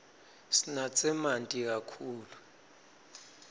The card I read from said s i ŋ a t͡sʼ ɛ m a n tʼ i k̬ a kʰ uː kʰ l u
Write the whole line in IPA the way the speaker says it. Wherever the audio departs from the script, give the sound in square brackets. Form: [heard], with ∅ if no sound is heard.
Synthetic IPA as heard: s i [n] a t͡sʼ ɛ m a n tʼ i k̬ a kʰ uː [∅] l u